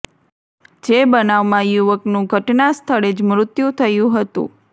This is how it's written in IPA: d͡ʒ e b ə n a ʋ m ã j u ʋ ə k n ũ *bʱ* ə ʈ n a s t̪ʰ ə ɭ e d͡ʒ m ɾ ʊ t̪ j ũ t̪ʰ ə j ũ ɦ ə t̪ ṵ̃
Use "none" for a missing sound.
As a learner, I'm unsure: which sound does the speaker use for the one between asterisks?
ɡʱ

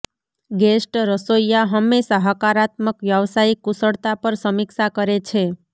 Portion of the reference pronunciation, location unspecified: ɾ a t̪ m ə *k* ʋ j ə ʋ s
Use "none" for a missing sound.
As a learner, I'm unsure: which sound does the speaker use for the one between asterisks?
k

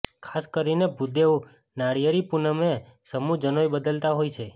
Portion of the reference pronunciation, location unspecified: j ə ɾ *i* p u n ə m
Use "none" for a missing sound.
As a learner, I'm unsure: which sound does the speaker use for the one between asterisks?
i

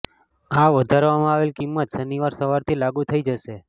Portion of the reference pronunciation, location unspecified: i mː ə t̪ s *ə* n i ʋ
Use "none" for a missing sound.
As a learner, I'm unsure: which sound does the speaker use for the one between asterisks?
ə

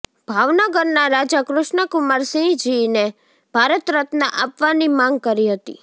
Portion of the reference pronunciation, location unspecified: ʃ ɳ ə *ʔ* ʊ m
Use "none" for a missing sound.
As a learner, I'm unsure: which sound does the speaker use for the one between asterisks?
k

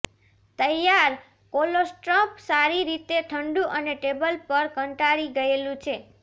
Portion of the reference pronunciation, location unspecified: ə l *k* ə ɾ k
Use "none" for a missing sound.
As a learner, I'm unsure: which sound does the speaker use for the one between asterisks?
p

